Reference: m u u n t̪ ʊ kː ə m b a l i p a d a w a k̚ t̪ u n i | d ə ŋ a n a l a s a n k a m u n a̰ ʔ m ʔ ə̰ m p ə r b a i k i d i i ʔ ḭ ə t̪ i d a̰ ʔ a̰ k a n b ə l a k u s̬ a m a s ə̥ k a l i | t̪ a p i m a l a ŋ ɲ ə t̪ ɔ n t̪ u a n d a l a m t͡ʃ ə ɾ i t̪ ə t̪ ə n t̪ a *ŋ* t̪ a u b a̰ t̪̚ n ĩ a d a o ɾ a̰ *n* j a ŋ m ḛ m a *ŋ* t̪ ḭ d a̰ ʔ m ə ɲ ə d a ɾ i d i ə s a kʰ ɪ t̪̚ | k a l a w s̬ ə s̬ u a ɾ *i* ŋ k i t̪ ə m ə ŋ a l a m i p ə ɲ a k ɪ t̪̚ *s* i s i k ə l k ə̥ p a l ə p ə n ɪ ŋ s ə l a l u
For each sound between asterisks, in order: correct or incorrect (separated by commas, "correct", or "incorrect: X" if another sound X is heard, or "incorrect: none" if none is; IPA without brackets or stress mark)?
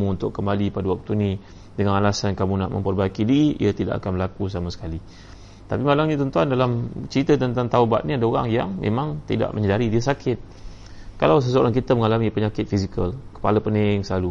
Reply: correct, incorrect: ŋ, correct, incorrect: a, incorrect: f